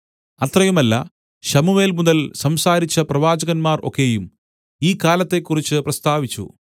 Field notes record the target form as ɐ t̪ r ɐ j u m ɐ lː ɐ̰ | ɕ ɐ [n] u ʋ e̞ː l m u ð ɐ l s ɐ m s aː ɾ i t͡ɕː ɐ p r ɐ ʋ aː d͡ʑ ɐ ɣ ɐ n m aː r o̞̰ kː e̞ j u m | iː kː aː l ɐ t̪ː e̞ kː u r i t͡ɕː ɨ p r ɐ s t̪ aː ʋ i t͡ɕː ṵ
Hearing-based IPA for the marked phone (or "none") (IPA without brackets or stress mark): m